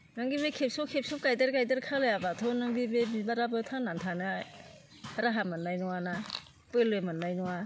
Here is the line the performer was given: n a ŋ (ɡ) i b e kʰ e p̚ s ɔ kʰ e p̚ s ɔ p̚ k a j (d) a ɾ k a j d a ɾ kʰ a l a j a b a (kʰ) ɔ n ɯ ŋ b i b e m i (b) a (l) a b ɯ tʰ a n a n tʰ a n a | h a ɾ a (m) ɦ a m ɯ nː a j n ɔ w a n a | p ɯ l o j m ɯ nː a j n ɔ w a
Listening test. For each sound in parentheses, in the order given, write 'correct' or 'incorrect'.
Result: correct, correct, incorrect: tʰ, correct, incorrect: ɾ, incorrect: none

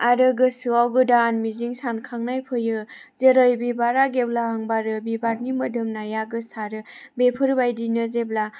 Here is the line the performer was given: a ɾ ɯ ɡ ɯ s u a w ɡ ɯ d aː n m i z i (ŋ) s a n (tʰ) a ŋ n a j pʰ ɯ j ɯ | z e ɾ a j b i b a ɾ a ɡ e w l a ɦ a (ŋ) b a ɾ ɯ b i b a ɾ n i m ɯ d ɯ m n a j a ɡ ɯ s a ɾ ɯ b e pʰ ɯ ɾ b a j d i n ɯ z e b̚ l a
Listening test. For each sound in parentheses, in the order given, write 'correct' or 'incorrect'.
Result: correct, incorrect: kʰ, correct

